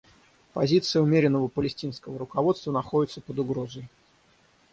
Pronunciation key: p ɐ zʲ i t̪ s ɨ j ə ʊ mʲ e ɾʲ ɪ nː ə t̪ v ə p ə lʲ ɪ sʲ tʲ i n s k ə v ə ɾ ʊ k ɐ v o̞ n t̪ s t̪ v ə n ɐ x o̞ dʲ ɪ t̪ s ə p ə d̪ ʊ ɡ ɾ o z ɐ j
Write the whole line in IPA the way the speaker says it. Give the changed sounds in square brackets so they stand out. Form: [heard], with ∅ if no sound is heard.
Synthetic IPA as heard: p ɐ zʲ i t̪ s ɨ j ə ʊ mʲ e ɾʲ ɪ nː ə [∅] v ə p ə lʲ ɪ sʲ tʲ i n s k ə v ə ɾ ʊ k ɐ v o̞ [∅] t̪ s t̪ v ə n ɐ x o̞ dʲ ɪ t̪ s ə p ə d̪ ʊ ɡ ɾ o z [ə] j